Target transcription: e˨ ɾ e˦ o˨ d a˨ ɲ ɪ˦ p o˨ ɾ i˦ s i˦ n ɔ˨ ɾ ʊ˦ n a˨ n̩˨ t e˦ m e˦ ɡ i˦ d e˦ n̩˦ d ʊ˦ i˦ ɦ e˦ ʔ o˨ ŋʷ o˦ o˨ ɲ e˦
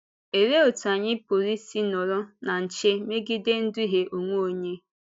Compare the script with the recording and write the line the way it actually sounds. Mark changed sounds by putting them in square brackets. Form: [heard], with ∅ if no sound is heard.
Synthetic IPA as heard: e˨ ɾ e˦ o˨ [t] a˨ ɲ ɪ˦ p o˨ ɾ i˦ s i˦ n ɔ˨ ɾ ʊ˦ n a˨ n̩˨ [t͡ʃ] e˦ m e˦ ɡ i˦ d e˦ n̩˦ d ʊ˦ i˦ ɦ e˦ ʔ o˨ ŋʷ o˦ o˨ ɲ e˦